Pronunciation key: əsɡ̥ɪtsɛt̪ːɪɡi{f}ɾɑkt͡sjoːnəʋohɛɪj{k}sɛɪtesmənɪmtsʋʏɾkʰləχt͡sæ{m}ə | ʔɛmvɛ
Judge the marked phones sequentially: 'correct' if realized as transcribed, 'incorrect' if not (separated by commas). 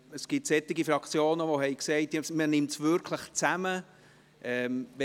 correct, correct, correct